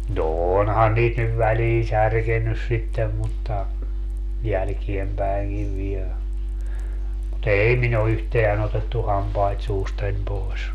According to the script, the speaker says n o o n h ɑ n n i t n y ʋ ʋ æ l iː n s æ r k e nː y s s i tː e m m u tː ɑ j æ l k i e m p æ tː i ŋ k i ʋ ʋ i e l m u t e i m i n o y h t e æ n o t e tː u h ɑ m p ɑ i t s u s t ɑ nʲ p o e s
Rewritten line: n o o n h ɑ n n iː t n y ʋ ʋ æ l iː n s æ r k e nː y s s i tː e m m u tː ɑ j æ l k i e m p æ i ŋ k i ʋ ʋ i e l m u t e i m i n o y h t e æ n o t e tː u h ɑ m p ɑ i t s uː s t ɑ nʲ p o e s